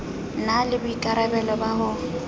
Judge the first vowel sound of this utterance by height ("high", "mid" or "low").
low